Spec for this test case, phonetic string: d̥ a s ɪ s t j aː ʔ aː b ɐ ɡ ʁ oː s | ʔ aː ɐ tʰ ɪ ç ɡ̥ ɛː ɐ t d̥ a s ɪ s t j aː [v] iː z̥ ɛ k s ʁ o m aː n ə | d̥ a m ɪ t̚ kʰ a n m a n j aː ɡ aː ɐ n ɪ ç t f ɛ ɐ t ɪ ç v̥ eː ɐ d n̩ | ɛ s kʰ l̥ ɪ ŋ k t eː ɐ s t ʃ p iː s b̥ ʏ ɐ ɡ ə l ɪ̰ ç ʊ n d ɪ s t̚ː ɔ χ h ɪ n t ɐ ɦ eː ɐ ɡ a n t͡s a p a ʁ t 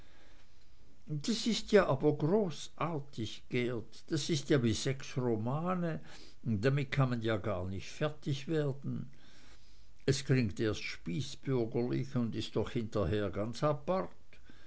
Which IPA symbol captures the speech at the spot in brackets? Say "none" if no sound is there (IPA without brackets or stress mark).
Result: v